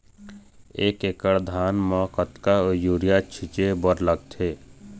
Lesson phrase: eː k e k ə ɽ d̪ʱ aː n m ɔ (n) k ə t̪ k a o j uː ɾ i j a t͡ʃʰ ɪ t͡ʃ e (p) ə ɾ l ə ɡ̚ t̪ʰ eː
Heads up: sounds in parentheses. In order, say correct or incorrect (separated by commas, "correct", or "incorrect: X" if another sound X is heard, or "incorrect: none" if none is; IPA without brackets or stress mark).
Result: incorrect: none, incorrect: b